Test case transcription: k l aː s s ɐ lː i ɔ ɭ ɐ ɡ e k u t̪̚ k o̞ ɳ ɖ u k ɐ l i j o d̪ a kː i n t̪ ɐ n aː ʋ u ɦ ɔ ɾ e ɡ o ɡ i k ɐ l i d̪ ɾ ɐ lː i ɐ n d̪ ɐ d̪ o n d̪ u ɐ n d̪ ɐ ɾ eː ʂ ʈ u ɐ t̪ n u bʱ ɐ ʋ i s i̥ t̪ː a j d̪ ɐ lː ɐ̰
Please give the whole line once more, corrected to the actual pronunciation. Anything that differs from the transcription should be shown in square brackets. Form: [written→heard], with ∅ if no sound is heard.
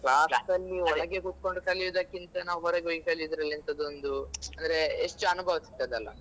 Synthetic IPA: k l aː s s ɐ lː i ɔ ɭ ɐ ɡ e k u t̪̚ k o̞ ɳ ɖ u k ɐ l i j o d̪ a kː i n t̪ ɐ n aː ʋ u ɦ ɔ ɾ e ɡ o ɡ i k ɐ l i d̪ ɾ ɐ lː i ɐ n [d̪→t̪] ɐ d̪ o n d̪ u ɐ n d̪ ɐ ɾ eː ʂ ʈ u ɐ [t̪→∅] n u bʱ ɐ ʋ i s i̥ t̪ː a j d̪ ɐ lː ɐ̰